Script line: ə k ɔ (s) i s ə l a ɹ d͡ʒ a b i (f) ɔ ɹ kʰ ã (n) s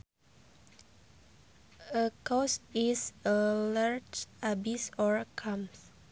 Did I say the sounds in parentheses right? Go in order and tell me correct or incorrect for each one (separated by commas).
correct, incorrect, incorrect